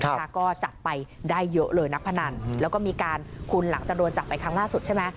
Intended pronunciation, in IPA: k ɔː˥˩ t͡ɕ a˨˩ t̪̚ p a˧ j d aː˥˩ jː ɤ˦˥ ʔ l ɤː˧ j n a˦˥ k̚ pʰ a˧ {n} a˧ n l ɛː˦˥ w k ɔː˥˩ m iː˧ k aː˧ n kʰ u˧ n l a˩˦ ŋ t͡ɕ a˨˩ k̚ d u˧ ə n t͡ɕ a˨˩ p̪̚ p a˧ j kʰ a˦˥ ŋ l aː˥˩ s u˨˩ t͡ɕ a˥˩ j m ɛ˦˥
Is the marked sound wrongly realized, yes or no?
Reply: no